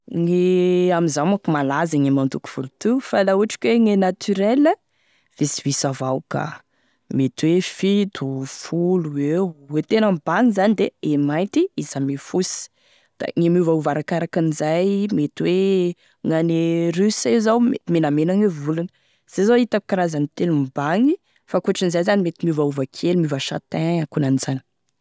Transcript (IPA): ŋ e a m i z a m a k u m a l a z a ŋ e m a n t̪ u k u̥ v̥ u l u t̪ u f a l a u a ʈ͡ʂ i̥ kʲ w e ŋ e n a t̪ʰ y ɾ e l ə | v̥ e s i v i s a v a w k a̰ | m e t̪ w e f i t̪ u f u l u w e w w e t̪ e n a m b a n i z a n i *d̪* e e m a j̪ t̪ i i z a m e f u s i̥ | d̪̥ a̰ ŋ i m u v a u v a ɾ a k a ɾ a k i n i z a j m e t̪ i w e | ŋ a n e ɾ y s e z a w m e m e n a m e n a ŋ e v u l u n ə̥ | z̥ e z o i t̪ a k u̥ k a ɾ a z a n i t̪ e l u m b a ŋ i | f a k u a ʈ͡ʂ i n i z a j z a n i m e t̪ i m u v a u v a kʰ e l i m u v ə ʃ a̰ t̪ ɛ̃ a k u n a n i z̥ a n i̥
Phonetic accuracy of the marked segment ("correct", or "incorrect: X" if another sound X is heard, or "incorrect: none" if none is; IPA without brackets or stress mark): correct